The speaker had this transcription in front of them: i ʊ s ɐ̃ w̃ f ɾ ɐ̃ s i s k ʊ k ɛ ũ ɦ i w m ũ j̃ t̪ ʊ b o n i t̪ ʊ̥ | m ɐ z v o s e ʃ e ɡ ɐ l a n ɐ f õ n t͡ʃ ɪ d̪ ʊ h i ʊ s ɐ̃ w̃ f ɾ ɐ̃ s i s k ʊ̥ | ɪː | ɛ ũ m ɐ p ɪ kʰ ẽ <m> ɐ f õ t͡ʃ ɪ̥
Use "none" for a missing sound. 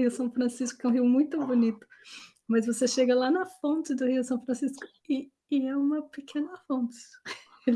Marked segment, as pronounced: n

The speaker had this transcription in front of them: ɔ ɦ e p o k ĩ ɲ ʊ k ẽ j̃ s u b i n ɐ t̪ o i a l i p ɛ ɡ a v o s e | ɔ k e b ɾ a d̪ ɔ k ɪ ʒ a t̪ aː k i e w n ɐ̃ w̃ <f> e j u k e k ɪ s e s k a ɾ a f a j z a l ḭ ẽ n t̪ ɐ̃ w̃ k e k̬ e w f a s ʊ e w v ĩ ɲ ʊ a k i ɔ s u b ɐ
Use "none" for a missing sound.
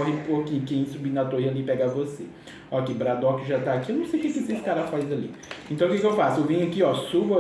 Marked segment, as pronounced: s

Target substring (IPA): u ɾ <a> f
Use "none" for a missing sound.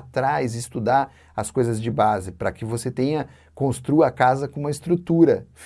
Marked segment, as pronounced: ɐ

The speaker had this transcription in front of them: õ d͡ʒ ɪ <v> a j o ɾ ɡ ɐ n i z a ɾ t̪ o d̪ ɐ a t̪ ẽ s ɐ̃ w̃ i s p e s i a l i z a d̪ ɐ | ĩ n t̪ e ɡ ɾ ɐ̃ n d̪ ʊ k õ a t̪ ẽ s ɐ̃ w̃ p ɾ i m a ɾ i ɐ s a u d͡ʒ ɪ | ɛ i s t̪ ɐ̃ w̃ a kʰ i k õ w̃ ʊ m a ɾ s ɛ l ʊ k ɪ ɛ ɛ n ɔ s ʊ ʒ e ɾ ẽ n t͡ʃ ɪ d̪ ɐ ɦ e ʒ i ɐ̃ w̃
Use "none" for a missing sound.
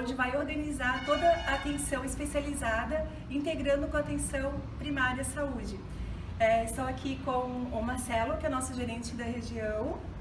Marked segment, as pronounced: v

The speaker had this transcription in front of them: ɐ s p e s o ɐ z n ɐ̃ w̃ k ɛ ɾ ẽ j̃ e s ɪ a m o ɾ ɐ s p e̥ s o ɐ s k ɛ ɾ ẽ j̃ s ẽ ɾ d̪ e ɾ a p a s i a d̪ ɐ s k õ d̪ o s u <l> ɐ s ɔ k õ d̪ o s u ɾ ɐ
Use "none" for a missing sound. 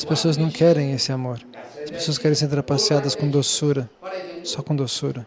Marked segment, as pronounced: ɾ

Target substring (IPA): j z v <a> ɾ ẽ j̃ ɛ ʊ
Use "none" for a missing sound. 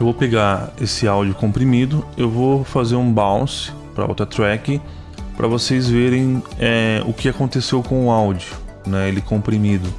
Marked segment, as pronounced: e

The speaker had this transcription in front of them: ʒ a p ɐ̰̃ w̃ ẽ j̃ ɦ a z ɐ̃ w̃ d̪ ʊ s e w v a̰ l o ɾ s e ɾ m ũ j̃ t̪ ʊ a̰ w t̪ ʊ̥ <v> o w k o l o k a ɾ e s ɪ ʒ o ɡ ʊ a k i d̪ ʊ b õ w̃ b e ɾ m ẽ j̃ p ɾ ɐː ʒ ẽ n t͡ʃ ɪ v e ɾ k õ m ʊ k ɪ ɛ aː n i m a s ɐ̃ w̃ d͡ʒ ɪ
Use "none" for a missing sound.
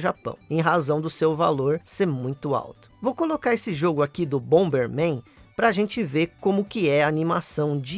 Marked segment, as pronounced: v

